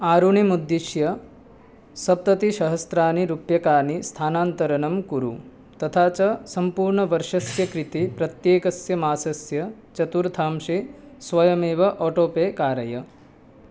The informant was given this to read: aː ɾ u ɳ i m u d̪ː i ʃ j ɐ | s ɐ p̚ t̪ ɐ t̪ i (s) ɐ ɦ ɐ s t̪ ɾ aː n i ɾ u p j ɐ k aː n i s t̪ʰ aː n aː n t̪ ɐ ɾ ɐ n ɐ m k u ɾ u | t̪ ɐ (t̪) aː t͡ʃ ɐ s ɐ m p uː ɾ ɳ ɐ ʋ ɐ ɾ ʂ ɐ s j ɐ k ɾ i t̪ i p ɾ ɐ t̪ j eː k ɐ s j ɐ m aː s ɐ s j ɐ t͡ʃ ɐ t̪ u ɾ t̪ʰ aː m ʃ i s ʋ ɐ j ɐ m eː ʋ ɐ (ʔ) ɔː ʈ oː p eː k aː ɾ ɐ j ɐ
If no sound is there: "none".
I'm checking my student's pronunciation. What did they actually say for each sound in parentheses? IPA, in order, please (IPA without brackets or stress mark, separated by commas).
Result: ʃ, t̪ʰ, ʔ